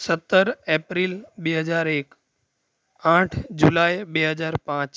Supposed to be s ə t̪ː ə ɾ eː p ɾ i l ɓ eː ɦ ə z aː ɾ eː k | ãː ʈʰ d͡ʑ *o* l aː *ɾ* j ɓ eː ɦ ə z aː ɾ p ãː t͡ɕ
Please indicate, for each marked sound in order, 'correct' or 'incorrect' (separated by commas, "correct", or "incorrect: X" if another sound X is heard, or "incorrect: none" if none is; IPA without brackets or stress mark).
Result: incorrect: u, incorrect: none